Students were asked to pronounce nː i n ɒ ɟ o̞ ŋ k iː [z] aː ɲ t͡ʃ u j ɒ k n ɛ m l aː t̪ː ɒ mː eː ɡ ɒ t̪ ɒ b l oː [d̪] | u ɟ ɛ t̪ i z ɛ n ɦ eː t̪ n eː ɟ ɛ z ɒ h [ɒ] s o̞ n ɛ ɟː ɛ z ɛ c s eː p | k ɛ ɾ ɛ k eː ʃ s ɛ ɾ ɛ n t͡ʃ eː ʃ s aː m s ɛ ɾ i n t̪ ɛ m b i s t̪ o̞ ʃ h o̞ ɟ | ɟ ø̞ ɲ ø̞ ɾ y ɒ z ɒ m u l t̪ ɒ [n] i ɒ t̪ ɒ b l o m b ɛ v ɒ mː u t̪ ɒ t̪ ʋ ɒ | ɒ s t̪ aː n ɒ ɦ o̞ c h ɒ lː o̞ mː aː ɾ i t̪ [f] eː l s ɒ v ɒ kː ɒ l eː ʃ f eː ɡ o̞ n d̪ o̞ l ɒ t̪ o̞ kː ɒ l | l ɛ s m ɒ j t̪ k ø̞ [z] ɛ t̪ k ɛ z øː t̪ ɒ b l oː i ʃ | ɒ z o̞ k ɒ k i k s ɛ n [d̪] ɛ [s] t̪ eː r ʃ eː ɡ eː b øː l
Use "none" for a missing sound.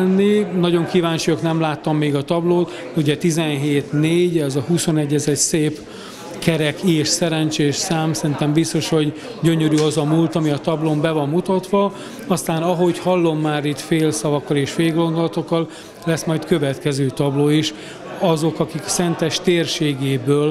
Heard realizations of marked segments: v, t̪, u, m, f, v, t̪, ʃ

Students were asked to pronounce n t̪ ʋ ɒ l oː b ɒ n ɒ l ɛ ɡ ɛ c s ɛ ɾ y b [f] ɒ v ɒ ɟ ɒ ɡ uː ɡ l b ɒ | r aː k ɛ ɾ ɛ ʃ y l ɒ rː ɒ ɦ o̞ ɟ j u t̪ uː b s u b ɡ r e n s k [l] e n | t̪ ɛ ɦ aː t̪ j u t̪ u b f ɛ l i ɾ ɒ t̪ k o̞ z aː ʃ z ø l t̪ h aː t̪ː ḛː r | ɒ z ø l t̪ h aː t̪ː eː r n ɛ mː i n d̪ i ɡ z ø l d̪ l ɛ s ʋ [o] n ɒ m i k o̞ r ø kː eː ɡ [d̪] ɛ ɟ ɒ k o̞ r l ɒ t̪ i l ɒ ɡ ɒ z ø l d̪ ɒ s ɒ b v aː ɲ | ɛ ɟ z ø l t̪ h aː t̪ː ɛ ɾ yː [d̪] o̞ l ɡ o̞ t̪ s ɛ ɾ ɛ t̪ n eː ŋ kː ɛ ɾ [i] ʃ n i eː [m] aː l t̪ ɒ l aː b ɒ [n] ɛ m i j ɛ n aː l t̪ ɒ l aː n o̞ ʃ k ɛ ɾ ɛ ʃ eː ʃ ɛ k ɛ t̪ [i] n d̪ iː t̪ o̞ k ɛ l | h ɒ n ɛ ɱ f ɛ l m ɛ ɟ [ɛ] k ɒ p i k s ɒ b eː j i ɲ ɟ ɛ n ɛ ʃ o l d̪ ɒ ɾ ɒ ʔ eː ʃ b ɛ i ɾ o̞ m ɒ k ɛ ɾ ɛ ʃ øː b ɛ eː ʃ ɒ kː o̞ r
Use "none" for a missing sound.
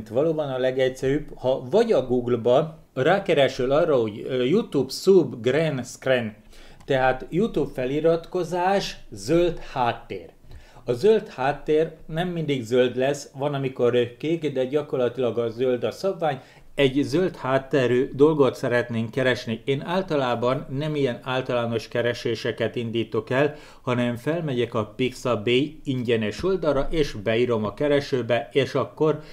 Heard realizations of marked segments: h, r, ɒ, d̪, d̪, ɛ, n, nː, i, ɛ

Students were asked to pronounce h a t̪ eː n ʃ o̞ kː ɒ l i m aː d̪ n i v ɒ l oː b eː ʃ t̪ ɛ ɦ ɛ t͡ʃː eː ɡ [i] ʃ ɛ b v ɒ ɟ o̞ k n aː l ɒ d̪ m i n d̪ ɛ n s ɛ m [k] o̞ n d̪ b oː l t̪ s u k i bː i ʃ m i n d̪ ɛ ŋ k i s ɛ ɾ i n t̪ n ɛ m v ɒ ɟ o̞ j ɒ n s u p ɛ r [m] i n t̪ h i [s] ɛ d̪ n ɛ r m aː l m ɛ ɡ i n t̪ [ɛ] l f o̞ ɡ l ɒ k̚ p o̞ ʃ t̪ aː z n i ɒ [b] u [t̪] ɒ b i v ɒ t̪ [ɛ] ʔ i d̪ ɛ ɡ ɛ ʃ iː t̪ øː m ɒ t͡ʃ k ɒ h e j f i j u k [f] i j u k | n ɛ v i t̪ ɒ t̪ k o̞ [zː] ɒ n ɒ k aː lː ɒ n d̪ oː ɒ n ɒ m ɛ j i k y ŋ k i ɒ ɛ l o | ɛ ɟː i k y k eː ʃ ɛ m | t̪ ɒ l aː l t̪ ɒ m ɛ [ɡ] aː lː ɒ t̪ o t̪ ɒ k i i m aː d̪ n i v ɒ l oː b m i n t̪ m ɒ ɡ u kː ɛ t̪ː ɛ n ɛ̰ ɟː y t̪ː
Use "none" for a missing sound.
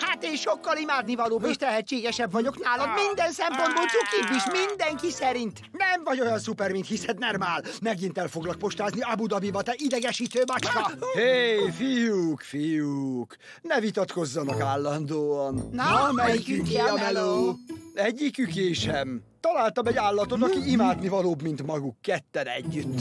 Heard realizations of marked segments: ɛ, p, m, s, ɛ, b, d̪, ɛ, f, zː, ɟ

